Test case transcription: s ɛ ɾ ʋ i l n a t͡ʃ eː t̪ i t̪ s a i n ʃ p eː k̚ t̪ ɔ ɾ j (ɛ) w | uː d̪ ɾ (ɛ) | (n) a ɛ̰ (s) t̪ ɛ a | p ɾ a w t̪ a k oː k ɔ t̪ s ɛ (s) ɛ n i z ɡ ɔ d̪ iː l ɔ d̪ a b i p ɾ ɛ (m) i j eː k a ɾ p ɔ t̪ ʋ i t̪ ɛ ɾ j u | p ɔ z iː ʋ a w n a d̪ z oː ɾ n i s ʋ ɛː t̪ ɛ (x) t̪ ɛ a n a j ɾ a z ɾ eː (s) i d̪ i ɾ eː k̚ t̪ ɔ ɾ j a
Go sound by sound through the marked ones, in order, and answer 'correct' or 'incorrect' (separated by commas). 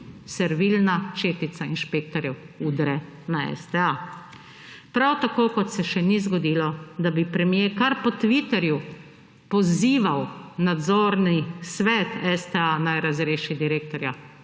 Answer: correct, correct, correct, correct, incorrect, correct, incorrect, incorrect